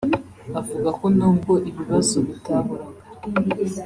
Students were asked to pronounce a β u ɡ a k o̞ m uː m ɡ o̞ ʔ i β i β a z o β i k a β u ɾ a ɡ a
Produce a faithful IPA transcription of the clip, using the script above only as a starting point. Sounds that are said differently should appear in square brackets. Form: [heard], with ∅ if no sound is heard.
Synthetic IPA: a [v] u ɡ a k o̞ [n] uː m ɡ o̞ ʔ i β i β a z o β i [t] a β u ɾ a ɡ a